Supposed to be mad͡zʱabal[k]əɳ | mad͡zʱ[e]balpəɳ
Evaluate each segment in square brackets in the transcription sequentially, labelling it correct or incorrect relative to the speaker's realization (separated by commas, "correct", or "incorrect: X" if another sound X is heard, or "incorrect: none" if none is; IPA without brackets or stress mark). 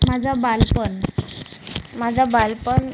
incorrect: p, incorrect: a